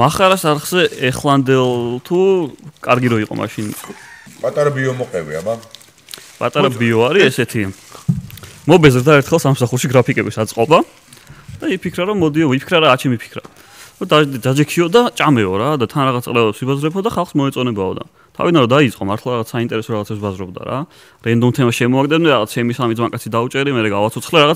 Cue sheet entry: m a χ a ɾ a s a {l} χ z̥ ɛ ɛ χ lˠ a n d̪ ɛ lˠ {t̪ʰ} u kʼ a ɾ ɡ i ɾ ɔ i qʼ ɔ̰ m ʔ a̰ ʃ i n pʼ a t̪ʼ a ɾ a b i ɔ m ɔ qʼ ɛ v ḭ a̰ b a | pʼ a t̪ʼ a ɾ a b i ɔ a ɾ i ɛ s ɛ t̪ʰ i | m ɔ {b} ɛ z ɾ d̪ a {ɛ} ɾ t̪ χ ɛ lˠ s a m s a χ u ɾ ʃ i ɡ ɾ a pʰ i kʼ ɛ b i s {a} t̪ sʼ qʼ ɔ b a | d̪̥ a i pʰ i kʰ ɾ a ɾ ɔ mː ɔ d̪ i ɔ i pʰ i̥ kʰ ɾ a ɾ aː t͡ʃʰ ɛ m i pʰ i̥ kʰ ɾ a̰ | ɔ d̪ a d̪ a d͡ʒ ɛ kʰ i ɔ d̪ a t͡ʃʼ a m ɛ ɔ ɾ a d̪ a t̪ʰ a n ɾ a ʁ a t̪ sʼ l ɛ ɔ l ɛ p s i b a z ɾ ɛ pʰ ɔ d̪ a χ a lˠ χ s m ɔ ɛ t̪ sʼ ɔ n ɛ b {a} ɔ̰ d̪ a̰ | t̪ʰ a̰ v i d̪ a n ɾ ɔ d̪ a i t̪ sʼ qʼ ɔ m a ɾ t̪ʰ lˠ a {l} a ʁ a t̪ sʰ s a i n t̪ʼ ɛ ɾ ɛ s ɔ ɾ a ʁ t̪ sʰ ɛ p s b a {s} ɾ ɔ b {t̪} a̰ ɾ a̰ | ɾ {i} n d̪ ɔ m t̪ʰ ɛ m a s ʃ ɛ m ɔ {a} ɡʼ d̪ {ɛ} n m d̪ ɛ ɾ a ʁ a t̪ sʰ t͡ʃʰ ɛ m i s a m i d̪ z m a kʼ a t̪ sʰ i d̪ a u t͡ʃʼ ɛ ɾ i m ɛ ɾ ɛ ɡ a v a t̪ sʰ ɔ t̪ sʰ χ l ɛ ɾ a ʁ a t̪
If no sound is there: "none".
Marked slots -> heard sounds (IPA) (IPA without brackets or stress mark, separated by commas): ɾ, t̪ʰ, b, ɛ, a, a, ɾ, z, d̪, ɛ, a, ɛ